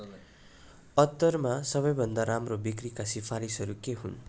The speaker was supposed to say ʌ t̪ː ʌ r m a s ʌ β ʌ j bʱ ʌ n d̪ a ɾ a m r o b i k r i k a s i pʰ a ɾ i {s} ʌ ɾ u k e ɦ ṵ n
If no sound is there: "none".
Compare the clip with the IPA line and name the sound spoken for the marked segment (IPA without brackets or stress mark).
s